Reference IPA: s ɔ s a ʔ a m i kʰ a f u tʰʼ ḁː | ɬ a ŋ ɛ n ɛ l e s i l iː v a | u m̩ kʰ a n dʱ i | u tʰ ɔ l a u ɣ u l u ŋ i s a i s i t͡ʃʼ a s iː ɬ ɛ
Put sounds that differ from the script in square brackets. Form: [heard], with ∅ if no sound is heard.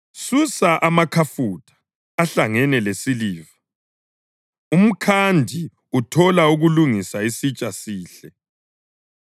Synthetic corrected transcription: s [u] s a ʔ a m [a] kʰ a f u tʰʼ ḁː | ɬ a ŋ ɛ n ɛ l e s i l iː v a | u m̩ kʰ a n dʱ i | u tʰ ɔ l a u ɣ u l u ŋ i s a i s i t͡ʃʼ a s iː ɬ ɛ